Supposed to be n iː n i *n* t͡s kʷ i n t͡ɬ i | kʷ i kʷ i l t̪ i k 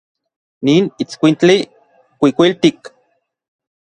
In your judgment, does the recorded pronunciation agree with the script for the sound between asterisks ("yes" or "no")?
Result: no